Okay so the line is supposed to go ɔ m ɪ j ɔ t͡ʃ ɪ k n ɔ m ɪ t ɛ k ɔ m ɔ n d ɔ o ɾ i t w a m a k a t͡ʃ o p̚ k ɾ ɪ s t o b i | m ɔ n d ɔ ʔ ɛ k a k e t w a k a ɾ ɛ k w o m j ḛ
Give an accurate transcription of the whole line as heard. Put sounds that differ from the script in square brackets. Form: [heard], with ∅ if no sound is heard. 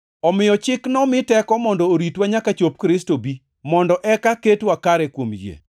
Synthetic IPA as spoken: ɔ m ɪ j ɔ t͡ʃ ɪ k n ɔ m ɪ t ɛ k ɔ m ɔ n d ɔ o ɾ i t w a [ɲ] a k a t͡ʃ o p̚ k ɾ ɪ s t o b i | m ɔ n d ɔ ʔ ɛ k a k e t w a k a ɾ ɛ k w o m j ḛ